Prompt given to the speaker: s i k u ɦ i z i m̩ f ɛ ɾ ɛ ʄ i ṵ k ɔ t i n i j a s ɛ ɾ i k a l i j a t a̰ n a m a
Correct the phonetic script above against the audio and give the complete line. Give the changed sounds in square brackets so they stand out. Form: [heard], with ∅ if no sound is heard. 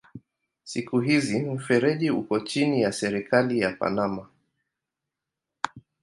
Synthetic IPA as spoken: s i k u ɦ i z i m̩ f ɛ ɾ ɛ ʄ i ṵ k ɔ [t͡ʃ] i n i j a s ɛ ɾ i k a l i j a [p] a̰ n a m a